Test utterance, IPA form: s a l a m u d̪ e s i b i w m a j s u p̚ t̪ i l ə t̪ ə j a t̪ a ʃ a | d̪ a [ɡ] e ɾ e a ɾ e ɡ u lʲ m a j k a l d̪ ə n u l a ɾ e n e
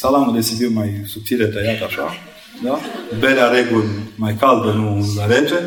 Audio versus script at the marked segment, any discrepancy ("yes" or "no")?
yes